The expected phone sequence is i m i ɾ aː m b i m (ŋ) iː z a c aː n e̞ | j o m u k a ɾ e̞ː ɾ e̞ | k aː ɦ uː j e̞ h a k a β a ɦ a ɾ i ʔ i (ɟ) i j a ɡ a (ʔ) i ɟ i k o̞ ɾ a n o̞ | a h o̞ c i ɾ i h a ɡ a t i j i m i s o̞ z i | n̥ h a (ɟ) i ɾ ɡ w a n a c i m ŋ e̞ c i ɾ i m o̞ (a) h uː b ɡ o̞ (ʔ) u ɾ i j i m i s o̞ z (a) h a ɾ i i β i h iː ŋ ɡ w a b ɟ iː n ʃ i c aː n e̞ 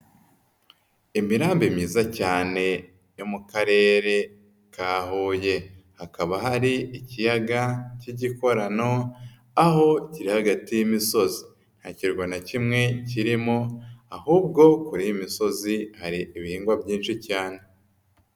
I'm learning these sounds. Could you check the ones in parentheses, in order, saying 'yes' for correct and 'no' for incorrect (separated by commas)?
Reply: no, no, no, no, yes, no, no